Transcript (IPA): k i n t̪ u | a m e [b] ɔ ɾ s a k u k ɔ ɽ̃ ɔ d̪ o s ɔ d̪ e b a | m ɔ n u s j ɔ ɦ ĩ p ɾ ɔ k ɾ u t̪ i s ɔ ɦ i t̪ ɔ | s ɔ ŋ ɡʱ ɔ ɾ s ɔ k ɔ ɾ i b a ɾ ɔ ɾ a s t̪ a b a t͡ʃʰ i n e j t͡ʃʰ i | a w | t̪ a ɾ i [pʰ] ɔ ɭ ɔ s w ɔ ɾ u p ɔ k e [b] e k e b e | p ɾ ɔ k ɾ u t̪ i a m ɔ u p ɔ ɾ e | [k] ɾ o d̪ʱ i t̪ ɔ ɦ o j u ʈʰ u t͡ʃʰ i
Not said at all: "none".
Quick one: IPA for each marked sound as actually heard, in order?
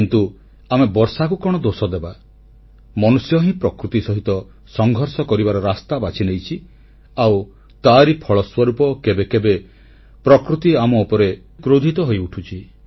b, pʰ, b, k

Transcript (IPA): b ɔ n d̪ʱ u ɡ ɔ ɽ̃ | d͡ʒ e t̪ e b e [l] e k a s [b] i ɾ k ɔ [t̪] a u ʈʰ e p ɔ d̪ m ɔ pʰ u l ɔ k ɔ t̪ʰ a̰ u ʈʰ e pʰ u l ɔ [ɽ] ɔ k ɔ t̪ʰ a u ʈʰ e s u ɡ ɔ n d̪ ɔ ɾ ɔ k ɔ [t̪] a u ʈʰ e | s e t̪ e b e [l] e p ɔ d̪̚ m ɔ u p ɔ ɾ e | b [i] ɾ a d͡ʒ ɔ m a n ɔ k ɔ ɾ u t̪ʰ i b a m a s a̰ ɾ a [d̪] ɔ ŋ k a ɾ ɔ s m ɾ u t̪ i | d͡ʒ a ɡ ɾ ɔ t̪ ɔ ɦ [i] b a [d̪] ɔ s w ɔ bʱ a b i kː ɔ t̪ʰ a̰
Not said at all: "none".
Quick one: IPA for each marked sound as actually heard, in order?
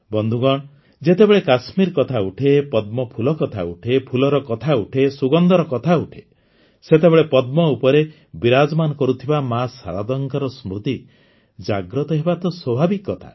ɭ, m, t̪ʰ, ɾ, t̪ʰ, ɭ, i, d̪, e, t̪

